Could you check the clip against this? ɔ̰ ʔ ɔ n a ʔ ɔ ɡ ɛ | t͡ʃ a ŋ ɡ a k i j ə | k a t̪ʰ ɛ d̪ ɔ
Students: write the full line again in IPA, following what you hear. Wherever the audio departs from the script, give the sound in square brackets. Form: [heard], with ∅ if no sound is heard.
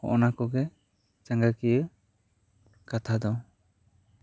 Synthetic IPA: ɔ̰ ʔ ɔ n a [k] ɔ ɡ ɛ | t͡ʃ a ŋ ɡ a k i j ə | k a t̪ʰ [a] d̪ ɔ